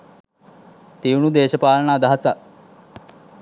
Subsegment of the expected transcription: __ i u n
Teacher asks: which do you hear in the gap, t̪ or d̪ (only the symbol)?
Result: t̪